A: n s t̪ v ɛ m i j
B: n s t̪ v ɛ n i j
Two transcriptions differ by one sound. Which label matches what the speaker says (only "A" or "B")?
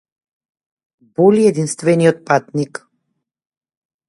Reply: B